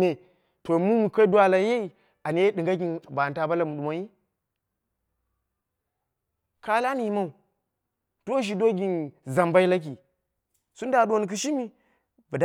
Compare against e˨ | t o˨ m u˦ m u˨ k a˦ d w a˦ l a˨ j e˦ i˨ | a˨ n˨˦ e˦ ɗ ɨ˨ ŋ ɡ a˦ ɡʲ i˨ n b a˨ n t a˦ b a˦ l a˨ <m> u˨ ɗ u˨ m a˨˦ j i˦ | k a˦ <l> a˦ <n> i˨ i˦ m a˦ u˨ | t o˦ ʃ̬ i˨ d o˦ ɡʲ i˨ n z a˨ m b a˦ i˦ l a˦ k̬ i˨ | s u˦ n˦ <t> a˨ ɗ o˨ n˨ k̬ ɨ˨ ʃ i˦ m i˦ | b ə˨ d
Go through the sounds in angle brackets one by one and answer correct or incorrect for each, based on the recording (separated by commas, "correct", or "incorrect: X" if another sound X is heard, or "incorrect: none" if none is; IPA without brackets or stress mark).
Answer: correct, correct, correct, incorrect: d